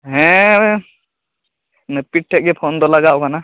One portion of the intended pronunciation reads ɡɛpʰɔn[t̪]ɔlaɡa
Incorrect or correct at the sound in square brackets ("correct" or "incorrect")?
incorrect